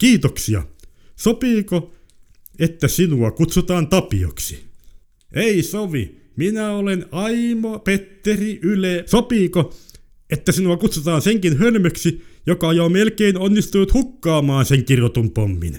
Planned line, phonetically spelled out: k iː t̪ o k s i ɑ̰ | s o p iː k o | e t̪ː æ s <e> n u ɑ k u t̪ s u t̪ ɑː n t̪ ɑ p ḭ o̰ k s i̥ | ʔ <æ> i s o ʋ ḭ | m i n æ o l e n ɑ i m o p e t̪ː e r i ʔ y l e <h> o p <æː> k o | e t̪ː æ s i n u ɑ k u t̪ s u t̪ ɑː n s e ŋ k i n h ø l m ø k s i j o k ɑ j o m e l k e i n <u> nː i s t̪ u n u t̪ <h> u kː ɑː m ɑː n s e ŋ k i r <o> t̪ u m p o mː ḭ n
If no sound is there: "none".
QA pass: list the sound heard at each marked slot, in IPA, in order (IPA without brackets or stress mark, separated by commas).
i, e, s, iː, o, h, o